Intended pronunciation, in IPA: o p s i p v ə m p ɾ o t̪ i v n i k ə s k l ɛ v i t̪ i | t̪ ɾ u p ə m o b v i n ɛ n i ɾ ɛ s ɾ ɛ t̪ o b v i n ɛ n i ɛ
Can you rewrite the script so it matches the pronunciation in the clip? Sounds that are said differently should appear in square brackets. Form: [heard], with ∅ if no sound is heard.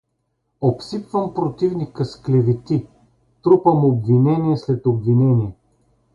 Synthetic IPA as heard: o p s i p v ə m p ɾ o t̪ i v n i k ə s k l ɛ v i t̪ i | t̪ ɾ u p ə m o b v i n ɛ n i [∅] ɛ s [l] ɛ t̪ o b v i n ɛ n i ɛ